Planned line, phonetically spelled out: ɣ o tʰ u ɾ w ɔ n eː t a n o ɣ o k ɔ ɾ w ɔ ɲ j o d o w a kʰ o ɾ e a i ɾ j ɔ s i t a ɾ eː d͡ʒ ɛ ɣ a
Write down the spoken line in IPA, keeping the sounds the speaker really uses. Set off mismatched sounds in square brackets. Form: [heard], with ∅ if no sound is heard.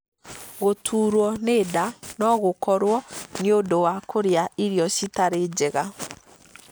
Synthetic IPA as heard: ɣ o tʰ u ɾ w ɔ n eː [d] a n [ɔ] ɣ o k ɔ ɾ w ɔ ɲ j o d o w a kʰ o ɾ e a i ɾ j ɔ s i t a ɾ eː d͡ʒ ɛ ɣ a